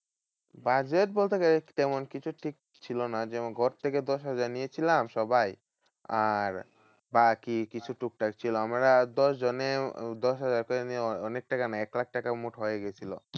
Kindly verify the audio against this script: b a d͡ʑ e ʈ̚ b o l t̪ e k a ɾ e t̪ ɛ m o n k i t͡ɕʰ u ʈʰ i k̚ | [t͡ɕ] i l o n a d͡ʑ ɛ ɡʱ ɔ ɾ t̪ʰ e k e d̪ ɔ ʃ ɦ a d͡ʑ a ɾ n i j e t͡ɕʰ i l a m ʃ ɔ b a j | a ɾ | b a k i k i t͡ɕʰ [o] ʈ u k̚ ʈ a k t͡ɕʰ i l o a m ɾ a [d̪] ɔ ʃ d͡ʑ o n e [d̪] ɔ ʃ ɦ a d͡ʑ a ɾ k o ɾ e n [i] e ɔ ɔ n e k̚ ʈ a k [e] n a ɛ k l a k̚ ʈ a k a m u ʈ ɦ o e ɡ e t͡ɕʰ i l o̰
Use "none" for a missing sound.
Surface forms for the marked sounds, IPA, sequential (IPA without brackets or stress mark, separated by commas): t͡ɕʰ, u, d̪, d̪, i, a